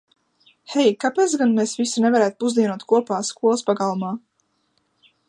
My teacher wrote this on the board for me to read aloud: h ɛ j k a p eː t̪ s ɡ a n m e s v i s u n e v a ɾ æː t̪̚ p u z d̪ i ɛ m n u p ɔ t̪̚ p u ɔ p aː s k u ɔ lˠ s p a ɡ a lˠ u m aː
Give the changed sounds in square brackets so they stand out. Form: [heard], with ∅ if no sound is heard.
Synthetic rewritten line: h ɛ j k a p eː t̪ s ɡ a n m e s v i s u n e v a ɾ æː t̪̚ p u z d̪ i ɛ [∅] n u [∅] ɔ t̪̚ [k] u ɔ p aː s k u ɔ lˠ s p a ɡ a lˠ u m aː